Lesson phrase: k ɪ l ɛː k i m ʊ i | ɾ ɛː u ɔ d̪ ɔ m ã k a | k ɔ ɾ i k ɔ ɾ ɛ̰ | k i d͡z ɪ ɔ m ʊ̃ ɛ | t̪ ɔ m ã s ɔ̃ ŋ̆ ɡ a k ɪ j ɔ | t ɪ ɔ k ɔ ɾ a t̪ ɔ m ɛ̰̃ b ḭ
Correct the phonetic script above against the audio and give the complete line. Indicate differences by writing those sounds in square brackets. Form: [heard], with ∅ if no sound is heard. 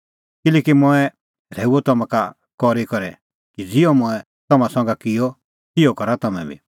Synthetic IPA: k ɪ l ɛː k i m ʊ [ɛ] | ɾ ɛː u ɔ [t̪] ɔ m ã k a | k ɔ ɾ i k ɔ ɾ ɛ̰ | k i d͡z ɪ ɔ m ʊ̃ ɛ | t̪ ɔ m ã s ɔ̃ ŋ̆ ɡ a k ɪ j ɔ | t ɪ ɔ k ɔ ɾ a t̪ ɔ m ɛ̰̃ b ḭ